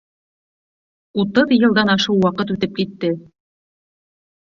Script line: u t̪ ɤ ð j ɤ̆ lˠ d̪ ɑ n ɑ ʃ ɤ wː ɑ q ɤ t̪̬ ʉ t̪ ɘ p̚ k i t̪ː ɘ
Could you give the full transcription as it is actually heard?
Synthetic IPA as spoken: u t̪ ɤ ð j ɤ̆ lˠ d̪ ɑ n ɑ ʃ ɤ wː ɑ q ɤ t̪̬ ʉ t̪ ɘ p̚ k i t̪ː ɘ